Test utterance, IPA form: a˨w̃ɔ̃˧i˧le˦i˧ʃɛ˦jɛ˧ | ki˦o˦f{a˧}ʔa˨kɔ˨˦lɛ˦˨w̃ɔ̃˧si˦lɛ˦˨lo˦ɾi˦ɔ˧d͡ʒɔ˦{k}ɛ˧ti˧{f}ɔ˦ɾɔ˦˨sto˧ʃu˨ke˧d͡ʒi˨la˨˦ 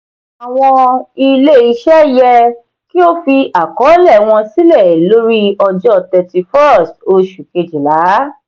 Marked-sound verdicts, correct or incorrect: incorrect, incorrect, correct

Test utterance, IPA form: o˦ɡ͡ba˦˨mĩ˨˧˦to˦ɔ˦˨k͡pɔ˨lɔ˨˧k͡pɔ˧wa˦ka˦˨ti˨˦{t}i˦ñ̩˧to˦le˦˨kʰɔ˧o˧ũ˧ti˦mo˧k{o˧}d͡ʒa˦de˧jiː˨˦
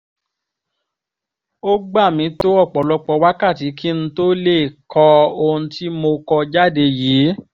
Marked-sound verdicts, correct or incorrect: incorrect, incorrect

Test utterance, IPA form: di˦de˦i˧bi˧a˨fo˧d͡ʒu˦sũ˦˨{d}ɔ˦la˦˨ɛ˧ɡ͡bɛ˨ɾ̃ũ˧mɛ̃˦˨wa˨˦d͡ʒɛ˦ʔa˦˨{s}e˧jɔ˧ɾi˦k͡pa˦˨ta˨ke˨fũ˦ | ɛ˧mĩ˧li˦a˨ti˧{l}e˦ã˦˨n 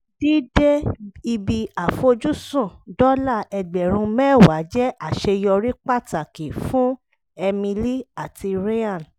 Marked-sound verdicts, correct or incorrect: correct, incorrect, incorrect

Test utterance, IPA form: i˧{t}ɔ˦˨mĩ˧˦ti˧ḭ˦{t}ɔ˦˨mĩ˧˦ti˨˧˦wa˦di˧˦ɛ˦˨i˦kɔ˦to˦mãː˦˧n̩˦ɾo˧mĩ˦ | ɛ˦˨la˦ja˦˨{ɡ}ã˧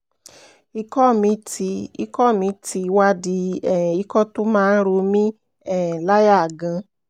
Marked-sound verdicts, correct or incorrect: incorrect, incorrect, correct

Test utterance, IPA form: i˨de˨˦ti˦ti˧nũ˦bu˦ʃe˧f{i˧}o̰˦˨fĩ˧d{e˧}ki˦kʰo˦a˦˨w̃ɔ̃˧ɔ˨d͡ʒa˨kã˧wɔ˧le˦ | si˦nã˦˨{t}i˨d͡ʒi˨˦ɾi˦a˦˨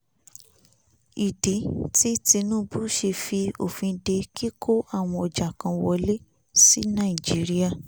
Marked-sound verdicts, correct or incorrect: correct, correct, incorrect

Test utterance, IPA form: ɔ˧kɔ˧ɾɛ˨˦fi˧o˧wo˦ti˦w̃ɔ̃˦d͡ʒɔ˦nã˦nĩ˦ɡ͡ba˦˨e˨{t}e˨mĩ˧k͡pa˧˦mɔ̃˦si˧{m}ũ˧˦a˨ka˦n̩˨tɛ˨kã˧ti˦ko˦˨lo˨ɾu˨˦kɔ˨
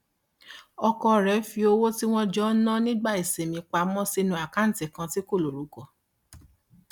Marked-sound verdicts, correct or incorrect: incorrect, incorrect

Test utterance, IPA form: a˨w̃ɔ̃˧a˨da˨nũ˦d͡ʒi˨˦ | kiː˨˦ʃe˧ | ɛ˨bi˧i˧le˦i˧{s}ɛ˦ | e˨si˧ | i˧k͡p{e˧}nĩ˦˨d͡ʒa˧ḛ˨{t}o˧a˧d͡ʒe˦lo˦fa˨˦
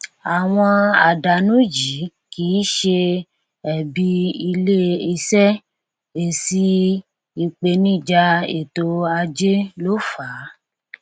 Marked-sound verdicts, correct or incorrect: correct, correct, correct

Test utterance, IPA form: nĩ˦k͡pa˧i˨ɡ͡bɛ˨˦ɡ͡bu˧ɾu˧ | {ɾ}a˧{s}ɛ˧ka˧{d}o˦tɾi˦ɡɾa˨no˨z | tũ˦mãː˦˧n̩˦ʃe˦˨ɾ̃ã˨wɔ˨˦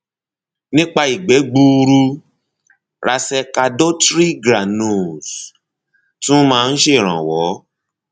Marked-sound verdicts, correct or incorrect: correct, correct, correct

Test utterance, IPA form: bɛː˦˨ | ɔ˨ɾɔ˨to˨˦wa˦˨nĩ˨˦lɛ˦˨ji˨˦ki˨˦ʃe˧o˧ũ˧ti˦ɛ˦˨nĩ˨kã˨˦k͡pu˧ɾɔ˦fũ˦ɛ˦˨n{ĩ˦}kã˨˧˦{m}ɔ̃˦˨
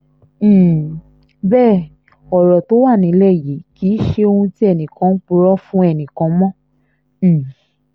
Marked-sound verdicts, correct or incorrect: incorrect, correct

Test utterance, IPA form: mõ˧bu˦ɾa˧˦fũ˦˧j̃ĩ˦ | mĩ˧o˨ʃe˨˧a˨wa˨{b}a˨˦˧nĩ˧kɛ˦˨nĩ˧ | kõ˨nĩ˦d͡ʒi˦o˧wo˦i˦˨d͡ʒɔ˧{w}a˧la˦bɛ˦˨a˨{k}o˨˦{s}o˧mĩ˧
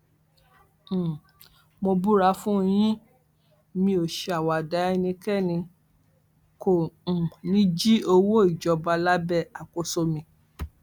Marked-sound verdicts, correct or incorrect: incorrect, incorrect, correct, correct

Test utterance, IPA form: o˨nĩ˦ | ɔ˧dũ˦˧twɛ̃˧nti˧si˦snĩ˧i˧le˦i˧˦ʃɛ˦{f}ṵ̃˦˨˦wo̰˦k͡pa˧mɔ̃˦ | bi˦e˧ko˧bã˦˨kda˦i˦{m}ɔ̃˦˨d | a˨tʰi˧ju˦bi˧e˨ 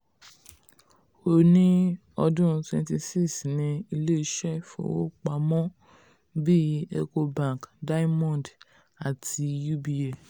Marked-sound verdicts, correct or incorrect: correct, correct

